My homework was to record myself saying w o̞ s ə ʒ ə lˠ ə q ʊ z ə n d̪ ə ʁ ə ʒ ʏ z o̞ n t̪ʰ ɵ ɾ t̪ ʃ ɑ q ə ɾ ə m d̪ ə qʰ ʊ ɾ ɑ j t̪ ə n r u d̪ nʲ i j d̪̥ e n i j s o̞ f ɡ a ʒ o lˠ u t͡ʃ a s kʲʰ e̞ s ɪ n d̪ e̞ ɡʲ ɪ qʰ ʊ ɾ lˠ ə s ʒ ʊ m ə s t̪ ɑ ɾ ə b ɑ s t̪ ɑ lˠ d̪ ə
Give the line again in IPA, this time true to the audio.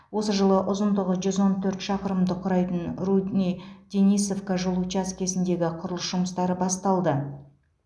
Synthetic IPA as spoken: w o̞ s ə ʒ ə lˠ ə ʔ ʊ z ə n d̪ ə ʁ ə ʒ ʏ z o̞ n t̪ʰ ɵ ɾ t̪ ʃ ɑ q ə ɾ ə m d̪ ə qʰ ʊ ɾ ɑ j t̪ ə n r u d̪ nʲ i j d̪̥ e n i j s o̞ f k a ʒ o lˠ u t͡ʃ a s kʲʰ e̞ s ɪ n d̪ e̞ ɡʲ ɪ qʰ ʊ ɾ lˠ ə s ʒ ʊ m ə s t̪ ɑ ɾ ə b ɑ s t̪ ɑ lˠ d̪ ə